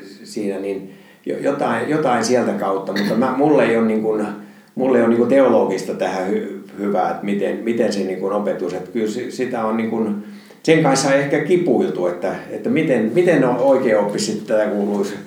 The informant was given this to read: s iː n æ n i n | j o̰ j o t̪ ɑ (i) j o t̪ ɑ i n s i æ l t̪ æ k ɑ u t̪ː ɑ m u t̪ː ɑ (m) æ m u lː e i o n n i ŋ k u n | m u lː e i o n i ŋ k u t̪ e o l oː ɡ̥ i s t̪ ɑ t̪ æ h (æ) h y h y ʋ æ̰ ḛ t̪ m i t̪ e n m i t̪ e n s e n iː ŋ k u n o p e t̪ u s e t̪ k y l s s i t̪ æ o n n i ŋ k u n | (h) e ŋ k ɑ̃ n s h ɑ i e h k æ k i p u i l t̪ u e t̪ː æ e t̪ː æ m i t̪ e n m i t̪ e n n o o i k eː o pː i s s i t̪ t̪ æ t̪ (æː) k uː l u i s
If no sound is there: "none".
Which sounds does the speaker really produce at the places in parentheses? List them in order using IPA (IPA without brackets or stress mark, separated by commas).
i, m, æ, s, æ